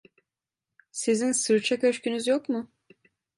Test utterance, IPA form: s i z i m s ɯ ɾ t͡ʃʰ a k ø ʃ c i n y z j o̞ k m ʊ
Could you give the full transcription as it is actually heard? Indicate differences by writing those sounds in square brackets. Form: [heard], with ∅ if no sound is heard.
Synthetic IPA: s i z i [n] s ɯ ɾ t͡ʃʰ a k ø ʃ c [y] n y z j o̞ k m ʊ